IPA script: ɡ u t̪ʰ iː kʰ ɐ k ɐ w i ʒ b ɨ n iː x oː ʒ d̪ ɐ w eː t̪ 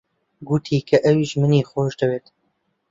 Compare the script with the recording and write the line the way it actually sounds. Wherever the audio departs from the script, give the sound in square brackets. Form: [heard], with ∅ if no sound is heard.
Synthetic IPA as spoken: ɡ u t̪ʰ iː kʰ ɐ [ʔ] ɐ w i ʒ [m] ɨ n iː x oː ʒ d̪ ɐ w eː t̪